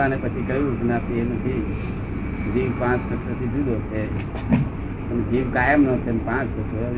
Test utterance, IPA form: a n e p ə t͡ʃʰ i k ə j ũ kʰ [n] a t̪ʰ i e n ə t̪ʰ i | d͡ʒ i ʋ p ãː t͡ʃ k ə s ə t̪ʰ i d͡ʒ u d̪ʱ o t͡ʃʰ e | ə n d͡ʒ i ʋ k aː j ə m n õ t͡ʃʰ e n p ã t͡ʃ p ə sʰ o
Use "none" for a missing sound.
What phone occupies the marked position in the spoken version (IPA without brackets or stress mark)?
n